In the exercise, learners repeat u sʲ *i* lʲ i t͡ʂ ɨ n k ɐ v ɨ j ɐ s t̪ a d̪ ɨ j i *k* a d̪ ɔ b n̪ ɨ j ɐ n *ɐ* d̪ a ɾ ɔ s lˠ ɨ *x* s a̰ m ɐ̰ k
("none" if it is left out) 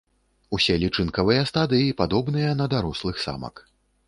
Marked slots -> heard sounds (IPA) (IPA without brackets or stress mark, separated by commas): ɛ, p, ɐ, x